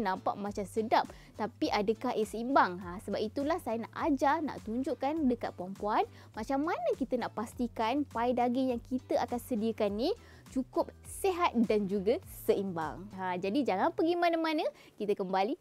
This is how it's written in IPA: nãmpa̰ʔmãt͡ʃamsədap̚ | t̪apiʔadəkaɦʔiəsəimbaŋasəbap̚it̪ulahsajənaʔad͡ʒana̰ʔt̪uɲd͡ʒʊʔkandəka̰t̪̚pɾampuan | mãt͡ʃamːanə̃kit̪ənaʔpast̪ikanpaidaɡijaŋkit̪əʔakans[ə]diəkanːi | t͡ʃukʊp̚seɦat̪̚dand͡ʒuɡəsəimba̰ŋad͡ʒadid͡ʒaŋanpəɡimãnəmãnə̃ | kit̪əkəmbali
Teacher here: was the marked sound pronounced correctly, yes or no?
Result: yes